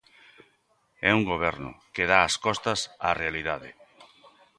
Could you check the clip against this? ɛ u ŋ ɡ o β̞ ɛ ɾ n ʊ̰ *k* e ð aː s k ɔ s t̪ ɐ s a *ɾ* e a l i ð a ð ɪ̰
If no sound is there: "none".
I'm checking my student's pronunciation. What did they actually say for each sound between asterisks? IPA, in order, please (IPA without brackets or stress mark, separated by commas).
k, r